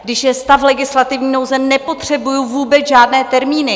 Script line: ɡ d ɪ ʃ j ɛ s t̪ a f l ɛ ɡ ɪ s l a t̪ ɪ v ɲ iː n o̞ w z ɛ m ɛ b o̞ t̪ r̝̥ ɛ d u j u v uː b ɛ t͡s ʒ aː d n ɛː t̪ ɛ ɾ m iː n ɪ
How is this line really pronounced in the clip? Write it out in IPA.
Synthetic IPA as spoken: ɡ d ɪ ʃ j ɛ s t̪ a f l ɛ ɡ ɪ s l a t̪ ɪ v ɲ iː n o̞ w z ɛ n ɛ p o̞ t̪ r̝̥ ɛ b u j u v uː b ɛ t͡s ʒ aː d n ɛː t̪ ɛ ɾ m iː n ɪ